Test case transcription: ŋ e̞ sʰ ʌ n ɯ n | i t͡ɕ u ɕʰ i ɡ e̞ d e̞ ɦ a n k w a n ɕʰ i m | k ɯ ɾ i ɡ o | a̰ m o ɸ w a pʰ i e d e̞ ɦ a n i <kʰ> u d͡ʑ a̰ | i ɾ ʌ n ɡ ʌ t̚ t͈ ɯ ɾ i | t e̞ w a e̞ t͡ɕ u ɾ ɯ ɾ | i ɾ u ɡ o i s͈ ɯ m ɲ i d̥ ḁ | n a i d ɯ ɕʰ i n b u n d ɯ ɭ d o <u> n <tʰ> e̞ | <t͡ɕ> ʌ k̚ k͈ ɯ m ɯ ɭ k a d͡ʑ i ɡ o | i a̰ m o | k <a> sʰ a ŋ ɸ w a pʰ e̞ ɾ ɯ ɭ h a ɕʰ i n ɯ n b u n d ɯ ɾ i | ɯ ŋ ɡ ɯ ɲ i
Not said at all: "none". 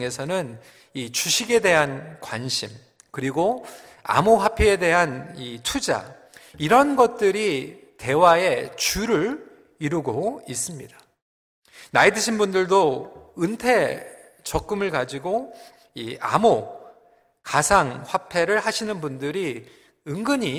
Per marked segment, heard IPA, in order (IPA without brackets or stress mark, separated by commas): tʰ, ɯ, tʰ, t͡ɕ, a